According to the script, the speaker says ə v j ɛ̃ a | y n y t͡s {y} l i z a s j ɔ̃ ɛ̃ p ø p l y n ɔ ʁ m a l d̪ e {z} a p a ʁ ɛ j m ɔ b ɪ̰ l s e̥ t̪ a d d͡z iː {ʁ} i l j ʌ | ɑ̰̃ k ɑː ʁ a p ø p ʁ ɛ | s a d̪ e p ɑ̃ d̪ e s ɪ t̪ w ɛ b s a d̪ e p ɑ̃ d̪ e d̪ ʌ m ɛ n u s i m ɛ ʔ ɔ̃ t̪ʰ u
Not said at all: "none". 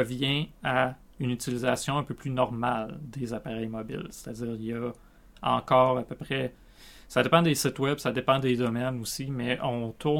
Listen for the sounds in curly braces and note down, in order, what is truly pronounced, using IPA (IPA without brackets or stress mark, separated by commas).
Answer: i, z, ʁ